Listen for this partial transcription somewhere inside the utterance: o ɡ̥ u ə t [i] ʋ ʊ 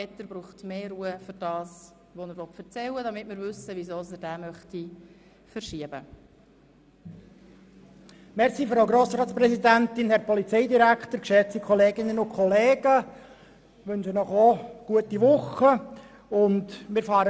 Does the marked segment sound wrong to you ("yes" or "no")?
no